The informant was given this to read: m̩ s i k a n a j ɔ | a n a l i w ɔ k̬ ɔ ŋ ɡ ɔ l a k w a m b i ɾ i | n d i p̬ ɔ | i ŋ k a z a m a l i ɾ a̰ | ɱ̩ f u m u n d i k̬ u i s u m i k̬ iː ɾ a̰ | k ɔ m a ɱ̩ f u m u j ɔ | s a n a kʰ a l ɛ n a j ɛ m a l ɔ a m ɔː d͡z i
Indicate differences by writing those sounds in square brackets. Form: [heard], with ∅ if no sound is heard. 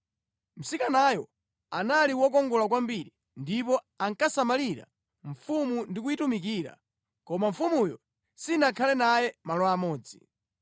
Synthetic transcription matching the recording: m̩ s i k a n a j ɔ | a n a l i w ɔ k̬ ɔ ŋ ɡ ɔ l a k w a m b i ɾ i | n d i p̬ ɔ | [a] ŋ k a [s] a m a l i ɾ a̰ | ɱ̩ f u m u n d i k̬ u i [t] u m i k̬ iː ɾ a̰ | k ɔ m a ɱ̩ f u m u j ɔ | s [i] n a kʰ a l ɛ n a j ɛ m a l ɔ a m ɔː d͡z i